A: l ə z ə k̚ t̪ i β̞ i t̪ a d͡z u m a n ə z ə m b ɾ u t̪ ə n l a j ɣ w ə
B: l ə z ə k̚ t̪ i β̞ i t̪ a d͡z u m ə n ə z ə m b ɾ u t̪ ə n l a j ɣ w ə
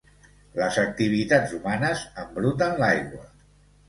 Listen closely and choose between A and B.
A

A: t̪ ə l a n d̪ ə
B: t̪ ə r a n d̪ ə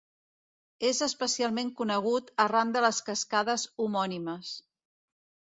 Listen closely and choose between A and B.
B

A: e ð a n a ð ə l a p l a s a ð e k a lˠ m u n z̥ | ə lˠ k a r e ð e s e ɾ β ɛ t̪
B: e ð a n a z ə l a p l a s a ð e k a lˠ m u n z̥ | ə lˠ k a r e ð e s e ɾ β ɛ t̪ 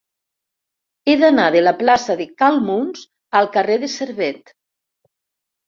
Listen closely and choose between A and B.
A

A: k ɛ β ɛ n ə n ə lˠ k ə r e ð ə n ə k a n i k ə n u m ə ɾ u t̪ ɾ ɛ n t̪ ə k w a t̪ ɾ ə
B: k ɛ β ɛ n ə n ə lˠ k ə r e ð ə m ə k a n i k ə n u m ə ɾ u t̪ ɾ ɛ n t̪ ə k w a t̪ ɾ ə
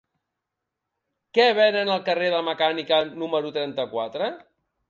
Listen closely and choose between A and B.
B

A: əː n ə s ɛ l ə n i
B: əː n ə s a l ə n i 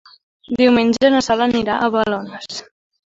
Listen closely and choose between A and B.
B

